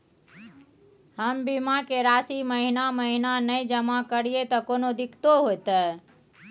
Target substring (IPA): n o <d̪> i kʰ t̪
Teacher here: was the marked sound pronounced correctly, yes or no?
yes